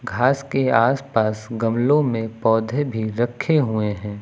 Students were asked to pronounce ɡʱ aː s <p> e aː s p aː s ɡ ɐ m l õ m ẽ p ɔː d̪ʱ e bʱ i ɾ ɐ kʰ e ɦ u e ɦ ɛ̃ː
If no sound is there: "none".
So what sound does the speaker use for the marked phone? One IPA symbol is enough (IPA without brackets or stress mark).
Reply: k